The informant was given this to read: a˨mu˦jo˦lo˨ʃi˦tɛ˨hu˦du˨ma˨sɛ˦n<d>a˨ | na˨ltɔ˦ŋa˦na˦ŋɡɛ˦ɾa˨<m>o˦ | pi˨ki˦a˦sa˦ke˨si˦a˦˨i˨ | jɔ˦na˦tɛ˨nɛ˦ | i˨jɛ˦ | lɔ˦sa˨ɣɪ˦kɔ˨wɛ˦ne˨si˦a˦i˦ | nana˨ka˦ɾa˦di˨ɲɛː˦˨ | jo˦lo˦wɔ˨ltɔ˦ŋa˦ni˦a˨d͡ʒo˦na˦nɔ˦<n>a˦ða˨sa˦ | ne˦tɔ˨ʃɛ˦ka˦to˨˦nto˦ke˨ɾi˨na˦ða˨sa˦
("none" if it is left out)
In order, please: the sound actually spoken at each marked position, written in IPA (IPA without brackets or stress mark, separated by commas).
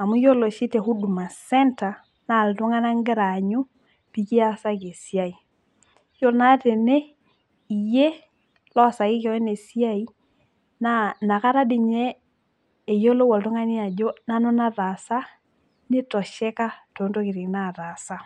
t, ɲ, n